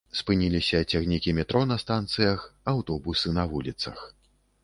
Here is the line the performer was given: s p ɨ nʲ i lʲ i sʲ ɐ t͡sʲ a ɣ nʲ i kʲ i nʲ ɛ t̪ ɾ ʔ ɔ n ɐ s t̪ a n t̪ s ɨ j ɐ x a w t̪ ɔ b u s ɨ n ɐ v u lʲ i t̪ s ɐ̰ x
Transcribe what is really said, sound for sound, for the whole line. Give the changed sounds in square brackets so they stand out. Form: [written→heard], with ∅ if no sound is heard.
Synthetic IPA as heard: s p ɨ nʲ i lʲ i sʲ ɐ t͡sʲ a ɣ nʲ i kʲ i [nʲ→mʲ] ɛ t̪ ɾ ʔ ɔ n ɐ s t̪ a n t̪ s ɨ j ɐ x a w t̪ ɔ b u s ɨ n ɐ v u lʲ i t̪ s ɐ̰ x